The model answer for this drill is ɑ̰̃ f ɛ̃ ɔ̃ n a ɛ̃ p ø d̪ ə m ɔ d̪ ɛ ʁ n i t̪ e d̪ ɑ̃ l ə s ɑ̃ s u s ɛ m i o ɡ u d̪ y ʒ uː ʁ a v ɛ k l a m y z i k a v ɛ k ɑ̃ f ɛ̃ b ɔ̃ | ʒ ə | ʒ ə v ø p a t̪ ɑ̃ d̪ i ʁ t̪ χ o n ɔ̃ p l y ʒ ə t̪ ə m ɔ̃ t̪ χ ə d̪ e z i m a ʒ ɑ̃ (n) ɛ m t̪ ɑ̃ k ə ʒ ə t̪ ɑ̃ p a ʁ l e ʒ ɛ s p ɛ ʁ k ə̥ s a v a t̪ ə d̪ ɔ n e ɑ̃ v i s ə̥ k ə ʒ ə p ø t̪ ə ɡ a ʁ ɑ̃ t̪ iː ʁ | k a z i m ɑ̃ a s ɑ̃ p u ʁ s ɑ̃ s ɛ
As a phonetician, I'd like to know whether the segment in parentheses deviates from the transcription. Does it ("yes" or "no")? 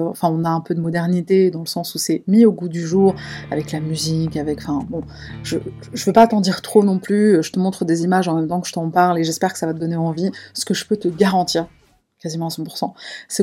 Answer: yes